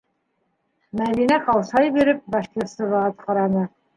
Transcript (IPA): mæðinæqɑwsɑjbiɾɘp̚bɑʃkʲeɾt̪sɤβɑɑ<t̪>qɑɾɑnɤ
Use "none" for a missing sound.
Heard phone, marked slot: t̪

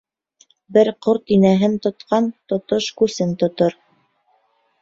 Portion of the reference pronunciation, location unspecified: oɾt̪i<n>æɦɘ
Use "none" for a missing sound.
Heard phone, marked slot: n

